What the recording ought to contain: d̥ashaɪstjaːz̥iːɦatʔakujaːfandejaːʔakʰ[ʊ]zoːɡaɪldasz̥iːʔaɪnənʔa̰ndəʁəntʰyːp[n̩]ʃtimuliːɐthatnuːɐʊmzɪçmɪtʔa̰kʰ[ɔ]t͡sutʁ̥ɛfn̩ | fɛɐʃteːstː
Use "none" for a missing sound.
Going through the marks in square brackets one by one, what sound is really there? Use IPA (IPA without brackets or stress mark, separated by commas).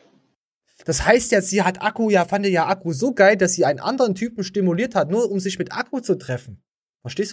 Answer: u, m̩, u